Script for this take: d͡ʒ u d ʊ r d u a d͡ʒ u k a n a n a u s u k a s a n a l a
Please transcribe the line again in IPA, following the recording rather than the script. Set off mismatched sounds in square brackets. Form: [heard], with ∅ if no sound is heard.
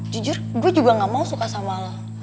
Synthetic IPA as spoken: d͡ʒ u [d͡ʒ] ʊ r [ɡ] u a d͡ʒ u [ɡ] a [ŋ] a [m] a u s u k a s a [m] a l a